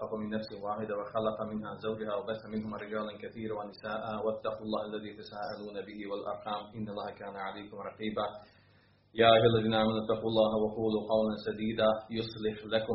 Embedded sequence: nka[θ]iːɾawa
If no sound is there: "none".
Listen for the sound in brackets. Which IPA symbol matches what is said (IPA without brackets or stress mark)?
θ